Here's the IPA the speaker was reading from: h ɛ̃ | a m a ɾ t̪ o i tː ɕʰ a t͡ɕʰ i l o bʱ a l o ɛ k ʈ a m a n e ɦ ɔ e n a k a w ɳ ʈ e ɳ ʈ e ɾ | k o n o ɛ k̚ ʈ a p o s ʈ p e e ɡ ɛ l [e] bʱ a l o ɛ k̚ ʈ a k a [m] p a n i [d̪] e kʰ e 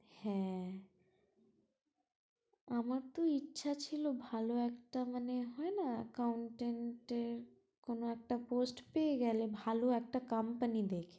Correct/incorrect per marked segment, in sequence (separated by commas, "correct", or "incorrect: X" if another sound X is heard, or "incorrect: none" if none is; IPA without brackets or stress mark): correct, correct, correct